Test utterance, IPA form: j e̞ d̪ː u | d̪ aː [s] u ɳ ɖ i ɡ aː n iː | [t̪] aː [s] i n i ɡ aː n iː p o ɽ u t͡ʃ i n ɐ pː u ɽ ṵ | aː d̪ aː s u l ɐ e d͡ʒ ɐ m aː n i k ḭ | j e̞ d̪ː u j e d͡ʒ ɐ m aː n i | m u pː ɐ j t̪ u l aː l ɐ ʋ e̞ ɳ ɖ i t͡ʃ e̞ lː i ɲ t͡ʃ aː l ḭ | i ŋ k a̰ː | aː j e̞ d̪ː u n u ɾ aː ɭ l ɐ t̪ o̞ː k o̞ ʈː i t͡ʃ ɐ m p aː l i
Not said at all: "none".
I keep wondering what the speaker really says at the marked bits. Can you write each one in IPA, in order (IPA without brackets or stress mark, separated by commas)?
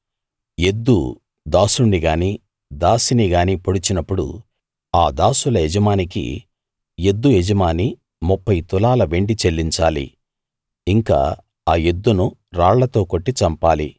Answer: s, d̪, s